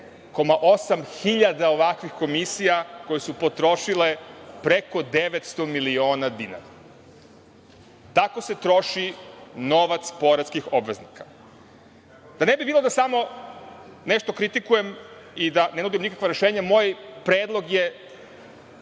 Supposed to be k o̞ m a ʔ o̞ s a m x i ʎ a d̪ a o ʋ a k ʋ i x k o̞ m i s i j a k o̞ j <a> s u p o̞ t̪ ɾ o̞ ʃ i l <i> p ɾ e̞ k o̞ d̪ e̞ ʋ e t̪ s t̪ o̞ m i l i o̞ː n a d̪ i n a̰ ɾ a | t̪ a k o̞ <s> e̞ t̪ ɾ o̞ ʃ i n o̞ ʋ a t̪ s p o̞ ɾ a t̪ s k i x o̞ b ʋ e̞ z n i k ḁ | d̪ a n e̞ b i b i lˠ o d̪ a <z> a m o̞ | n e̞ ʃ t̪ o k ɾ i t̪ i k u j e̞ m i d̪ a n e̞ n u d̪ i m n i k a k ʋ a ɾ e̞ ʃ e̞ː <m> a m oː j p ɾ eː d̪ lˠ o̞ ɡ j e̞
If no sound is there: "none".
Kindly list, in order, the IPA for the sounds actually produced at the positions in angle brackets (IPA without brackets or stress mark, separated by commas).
e, e, s, s, ɲ